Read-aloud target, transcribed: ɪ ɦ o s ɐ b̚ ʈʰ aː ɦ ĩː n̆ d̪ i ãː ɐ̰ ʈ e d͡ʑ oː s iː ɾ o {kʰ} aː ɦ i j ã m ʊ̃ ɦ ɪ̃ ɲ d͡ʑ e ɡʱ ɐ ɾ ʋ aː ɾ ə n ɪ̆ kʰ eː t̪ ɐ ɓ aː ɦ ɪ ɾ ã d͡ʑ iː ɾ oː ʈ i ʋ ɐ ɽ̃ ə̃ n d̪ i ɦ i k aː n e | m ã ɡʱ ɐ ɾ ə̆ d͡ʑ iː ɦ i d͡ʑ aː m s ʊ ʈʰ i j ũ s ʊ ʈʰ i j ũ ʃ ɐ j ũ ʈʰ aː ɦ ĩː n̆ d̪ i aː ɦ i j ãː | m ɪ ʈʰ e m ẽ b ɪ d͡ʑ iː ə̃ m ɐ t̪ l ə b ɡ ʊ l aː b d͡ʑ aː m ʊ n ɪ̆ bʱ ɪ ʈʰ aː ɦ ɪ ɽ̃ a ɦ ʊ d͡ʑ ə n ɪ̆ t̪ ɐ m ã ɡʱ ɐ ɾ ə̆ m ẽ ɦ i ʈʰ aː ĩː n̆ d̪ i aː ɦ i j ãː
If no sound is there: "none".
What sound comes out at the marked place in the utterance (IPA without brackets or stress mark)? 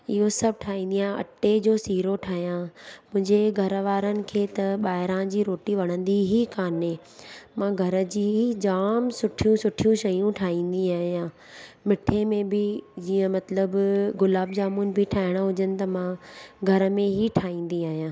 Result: ʈʰ